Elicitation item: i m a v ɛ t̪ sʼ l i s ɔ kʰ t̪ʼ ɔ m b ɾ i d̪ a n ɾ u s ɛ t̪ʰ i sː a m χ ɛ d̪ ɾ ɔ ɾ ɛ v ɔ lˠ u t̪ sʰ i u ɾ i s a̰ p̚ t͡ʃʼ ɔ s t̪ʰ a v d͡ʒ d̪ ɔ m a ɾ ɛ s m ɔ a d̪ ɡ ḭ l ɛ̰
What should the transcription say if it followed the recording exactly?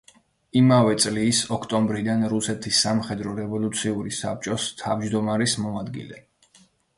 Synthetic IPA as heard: i m a v ɛ t̪ sʼ l i s ɔ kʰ t̪ʼ ɔ m b ɾ i d̪ a n ɾ u s ɛ t̪ʰ i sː a m χ ɛ d̪ ɾ ɔ ɾ ɛ v ɔ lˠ u t̪ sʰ i u ɾ i s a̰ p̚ t͡ʃʼ ɔ s t̪ʰ a v d͡ʒ d̪ ɔ m a ɾ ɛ s m ɔ a d̪ ɡ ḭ l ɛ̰